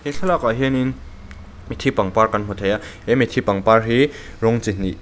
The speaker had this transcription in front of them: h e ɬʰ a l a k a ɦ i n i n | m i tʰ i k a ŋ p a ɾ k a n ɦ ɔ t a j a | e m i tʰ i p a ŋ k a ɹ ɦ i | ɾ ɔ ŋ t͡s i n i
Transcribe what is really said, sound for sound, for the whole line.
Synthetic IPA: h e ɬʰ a l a k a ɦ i n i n | m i tʰ i p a ŋ p a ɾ k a n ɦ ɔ tʰ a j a | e m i tʰ i p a ŋ p a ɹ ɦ i | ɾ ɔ ŋ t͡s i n i